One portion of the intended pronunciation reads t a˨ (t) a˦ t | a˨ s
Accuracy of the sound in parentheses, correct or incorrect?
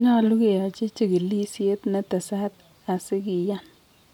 incorrect